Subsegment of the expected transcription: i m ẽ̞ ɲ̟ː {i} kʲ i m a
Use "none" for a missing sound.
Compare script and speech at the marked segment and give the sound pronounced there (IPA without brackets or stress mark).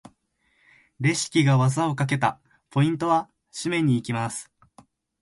iː